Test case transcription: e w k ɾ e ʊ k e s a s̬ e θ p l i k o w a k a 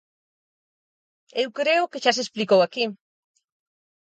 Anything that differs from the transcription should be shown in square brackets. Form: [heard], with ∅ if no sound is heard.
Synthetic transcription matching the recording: e w k ɾ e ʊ k e [ʃ] a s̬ e [s] p l i k o w a k [i]